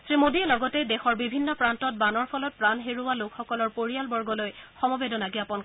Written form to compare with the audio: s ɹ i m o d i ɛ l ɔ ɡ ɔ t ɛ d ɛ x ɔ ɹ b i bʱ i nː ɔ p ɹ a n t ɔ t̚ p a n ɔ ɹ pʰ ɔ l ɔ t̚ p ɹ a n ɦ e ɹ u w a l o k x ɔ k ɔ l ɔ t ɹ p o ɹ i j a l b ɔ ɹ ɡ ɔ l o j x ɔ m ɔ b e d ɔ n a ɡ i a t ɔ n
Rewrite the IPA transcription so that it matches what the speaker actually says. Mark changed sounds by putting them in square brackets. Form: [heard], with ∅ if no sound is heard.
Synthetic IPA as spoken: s ɹ i m o d i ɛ l ɔ ɡ ɔ t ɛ d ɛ x ɔ ɹ b i bʱ i nː ɔ p ɹ a n t ɔ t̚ [b] a n ɔ ɹ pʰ ɔ l ɔ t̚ p ɹ a n ɦ e ɹ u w a l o k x ɔ k ɔ l ɔ [∅] ɹ p o ɹ i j a l b ɔ ɹ ɡ ɔ l o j x ɔ m ɔ b e d ɔ n a ɡ i a [p] ɔ n